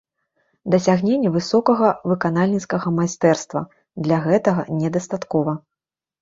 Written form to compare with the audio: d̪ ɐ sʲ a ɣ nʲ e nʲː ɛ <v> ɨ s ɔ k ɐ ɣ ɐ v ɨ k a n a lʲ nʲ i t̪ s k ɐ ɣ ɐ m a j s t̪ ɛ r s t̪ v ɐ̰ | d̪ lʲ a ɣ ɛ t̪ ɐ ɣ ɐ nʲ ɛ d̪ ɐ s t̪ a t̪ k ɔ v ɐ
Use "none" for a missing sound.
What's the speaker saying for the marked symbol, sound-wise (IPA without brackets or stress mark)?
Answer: v